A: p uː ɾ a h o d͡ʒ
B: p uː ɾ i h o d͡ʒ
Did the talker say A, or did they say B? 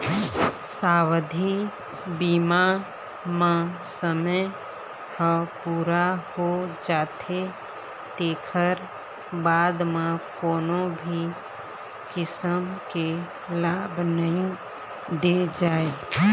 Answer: A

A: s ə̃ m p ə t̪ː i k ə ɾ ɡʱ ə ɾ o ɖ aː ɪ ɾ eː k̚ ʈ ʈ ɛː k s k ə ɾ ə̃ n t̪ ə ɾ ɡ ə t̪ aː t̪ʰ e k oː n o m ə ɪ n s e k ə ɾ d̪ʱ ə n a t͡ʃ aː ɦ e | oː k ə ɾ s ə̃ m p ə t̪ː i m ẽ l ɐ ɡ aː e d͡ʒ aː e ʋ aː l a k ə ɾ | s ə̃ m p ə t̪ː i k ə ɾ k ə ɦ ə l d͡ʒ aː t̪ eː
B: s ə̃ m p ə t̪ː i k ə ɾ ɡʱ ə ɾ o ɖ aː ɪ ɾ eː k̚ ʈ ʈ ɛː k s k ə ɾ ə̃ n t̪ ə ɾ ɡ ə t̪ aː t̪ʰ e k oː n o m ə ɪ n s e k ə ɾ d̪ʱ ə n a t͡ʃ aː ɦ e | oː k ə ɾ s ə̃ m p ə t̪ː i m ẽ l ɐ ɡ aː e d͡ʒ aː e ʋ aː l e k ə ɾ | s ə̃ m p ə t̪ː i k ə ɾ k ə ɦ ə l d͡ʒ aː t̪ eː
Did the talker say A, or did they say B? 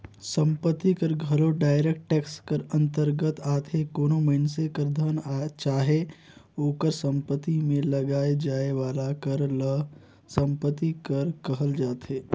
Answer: A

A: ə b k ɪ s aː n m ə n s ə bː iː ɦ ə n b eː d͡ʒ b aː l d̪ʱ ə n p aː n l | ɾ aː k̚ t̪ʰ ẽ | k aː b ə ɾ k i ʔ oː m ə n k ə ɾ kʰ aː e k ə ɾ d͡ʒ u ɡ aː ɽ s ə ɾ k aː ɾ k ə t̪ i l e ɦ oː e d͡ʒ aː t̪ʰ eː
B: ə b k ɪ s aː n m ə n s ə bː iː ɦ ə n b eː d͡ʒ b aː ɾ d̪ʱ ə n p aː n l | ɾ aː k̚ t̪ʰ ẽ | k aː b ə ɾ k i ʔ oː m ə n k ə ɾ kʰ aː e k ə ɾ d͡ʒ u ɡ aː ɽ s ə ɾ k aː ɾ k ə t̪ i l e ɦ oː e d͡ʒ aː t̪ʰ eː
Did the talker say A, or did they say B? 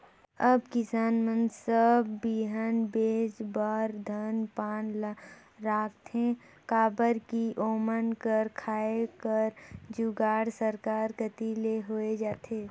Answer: B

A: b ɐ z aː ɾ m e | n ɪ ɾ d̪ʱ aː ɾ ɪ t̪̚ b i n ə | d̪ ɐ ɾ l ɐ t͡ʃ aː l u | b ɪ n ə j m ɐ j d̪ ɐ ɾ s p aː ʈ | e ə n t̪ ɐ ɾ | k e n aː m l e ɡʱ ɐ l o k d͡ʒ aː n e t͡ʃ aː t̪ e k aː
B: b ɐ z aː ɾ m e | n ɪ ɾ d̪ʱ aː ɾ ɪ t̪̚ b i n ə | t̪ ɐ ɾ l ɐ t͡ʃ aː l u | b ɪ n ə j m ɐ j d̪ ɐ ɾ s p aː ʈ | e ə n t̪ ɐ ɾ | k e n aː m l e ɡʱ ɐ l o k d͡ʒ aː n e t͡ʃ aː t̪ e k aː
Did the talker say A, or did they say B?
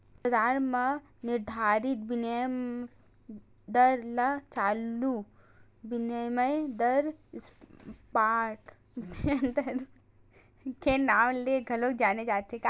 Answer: A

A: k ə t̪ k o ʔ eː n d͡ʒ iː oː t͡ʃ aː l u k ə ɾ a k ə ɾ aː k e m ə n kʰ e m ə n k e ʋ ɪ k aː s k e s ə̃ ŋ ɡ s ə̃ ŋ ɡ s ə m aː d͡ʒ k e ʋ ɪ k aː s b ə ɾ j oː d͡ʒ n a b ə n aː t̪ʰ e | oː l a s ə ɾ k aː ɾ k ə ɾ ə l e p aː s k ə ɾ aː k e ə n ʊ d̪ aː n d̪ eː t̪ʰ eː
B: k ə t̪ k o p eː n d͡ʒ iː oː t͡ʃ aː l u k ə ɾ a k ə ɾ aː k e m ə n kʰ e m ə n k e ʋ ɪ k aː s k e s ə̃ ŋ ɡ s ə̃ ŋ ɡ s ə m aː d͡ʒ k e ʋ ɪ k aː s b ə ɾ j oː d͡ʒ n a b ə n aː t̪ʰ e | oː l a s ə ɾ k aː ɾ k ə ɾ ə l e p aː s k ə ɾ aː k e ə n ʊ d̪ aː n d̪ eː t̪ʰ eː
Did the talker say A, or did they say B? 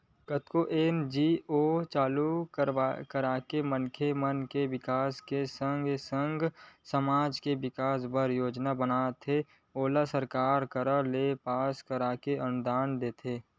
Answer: A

